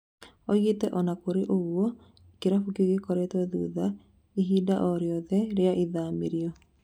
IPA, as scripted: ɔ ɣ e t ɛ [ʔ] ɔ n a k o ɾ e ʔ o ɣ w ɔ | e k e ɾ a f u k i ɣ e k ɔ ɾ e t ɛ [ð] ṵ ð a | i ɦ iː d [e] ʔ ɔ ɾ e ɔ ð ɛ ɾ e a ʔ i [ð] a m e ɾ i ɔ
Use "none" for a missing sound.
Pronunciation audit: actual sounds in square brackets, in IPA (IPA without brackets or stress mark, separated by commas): ʔ, ð, a, ð